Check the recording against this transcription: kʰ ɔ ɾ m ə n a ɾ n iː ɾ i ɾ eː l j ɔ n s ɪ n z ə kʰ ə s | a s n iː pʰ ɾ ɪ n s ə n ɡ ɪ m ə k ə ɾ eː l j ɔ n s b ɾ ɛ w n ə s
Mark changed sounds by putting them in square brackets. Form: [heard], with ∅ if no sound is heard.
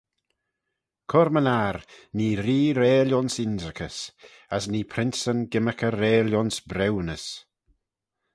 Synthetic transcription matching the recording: kʰ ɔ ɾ m ə n a ɾ n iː ɾ [iː] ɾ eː l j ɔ n s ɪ n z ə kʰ ə s | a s n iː pʰ ɾ ɪ n s ə n ɡ ɪ m ə k ə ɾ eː l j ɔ n s b ɾ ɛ w n ə s